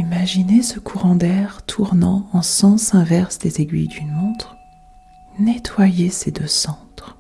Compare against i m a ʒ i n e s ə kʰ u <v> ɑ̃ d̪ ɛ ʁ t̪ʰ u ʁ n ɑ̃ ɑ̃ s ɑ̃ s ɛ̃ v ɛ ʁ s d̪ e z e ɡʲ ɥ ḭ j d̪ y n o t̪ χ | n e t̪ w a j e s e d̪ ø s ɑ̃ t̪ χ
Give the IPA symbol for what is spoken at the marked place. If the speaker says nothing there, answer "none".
ʁ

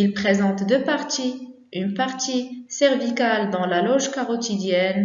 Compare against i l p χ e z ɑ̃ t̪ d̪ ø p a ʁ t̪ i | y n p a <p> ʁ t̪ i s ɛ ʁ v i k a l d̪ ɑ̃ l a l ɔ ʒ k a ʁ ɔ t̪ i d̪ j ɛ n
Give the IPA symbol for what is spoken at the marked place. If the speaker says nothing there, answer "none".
none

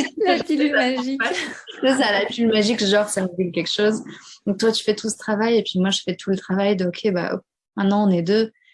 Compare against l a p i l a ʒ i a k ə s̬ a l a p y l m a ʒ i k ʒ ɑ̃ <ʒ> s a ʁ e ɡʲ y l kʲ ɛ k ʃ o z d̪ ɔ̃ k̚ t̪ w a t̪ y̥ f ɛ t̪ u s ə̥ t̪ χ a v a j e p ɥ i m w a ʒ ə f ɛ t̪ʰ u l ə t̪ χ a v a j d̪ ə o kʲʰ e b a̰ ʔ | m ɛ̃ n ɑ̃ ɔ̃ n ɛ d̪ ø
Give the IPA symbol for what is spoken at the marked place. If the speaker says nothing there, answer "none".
ʁ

